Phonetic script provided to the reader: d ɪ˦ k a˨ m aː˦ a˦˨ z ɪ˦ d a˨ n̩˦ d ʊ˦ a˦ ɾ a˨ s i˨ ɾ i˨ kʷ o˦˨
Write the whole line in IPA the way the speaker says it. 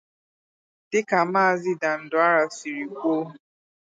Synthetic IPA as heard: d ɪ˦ k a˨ m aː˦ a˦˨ z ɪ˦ d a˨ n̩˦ d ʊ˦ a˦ ɾ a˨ s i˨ ɾ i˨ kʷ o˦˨